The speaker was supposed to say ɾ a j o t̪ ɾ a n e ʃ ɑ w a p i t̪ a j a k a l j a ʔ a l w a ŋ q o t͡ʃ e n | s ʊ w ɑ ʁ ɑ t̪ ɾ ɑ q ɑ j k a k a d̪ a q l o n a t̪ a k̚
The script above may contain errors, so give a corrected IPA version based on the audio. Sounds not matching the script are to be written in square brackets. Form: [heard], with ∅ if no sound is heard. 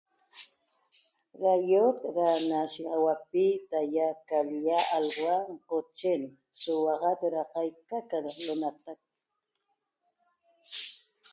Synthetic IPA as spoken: ɾ a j o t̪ ɾ a n [a] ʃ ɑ w a p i t̪ a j a k a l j a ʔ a l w a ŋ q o t͡ʃ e n | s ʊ w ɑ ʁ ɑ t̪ ɾ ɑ q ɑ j k a k a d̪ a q l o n a t̪ a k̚